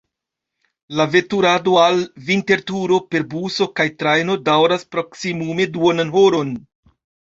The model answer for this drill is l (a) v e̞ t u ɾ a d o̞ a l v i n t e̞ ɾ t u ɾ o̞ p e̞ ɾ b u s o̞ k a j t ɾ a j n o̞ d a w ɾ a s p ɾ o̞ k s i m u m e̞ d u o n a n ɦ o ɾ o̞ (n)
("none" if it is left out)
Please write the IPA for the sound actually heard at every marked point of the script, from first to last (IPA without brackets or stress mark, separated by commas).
a, n